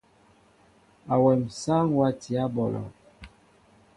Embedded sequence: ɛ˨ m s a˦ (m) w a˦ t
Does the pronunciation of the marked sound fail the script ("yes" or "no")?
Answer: yes